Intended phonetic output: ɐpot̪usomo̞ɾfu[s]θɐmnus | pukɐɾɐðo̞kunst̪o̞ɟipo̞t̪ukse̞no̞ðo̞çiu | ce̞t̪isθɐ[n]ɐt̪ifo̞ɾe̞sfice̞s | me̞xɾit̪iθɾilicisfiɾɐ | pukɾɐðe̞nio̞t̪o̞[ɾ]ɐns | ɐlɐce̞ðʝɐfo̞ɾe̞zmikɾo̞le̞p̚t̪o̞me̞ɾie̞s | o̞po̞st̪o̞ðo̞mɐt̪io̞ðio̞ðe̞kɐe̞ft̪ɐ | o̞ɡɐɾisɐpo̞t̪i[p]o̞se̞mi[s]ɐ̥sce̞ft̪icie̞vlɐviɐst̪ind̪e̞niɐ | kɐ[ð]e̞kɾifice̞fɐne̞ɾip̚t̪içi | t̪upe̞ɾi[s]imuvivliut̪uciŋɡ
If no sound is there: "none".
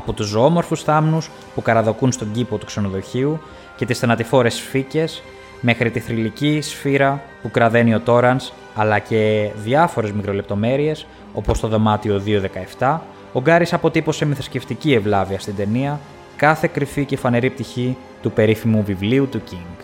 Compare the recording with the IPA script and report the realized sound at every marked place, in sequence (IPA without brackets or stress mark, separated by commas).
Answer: s, n, ɾ, p, θ, θ, f